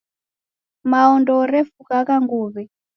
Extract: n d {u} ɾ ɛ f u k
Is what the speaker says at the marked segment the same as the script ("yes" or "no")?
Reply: no